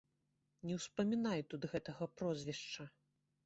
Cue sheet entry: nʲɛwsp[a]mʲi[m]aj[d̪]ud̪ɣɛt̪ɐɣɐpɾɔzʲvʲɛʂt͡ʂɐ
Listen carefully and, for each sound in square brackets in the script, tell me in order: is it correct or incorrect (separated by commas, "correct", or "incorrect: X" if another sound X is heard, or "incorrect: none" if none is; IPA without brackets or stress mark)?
incorrect: ɐ, incorrect: n, incorrect: t̪